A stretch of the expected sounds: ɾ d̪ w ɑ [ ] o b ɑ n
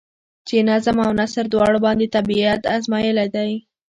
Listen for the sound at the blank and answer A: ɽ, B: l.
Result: A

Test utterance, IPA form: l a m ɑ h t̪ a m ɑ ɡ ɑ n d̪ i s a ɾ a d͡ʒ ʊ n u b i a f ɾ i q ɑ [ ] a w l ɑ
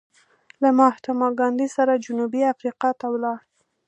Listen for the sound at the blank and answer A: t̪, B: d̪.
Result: A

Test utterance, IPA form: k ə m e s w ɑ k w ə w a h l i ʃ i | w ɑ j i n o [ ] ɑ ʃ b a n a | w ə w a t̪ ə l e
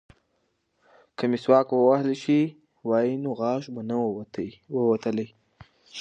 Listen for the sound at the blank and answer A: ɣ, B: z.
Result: A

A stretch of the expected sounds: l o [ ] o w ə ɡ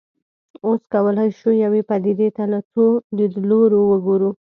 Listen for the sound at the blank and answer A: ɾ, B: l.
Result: A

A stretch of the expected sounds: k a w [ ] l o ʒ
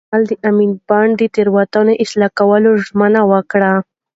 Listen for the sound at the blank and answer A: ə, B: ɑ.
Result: A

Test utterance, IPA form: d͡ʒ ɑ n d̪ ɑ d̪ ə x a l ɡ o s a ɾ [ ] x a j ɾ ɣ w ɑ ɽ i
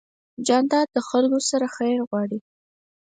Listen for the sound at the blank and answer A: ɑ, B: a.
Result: B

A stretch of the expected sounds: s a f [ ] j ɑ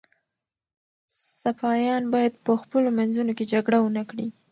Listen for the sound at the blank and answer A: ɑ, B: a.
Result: A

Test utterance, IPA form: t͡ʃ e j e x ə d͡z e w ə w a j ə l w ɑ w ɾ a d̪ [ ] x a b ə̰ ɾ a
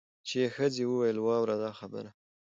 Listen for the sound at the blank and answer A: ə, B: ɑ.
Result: B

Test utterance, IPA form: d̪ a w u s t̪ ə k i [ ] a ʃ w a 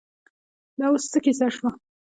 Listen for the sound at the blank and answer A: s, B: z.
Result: A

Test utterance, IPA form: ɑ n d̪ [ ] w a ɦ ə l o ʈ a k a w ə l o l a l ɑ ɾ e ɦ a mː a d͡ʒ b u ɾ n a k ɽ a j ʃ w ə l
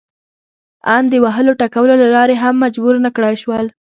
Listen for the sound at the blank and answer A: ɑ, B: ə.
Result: B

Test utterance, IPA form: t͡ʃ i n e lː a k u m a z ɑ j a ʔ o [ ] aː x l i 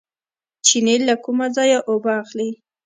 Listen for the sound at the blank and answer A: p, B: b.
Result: B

